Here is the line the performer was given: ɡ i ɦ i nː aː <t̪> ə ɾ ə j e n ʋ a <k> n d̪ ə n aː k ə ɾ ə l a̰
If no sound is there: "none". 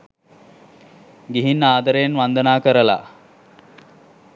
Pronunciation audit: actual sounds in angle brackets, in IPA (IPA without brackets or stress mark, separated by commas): d̪, none